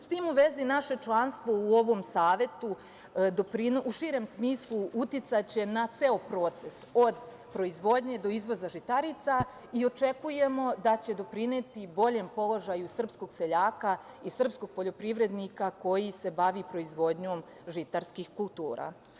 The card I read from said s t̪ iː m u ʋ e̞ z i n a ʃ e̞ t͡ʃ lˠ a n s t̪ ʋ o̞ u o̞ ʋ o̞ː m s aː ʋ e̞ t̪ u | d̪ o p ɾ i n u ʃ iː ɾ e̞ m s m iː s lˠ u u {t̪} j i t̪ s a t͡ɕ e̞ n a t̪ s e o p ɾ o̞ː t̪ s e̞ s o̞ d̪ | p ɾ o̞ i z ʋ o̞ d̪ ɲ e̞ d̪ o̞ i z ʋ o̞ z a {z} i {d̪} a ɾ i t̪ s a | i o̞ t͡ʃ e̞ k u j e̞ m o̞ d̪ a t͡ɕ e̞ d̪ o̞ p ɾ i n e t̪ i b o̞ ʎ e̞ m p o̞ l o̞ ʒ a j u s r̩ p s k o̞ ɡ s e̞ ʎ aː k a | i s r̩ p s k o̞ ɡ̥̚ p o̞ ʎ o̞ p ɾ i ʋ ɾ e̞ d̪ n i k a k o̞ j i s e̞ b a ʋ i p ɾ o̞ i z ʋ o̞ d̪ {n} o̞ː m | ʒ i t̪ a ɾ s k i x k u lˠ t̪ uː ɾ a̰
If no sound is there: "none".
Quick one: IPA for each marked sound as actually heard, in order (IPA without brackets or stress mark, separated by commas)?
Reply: t̪, ʒ, t̪, ɲ